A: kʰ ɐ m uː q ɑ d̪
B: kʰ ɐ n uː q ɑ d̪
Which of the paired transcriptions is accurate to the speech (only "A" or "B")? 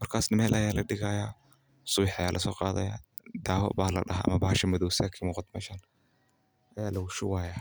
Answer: A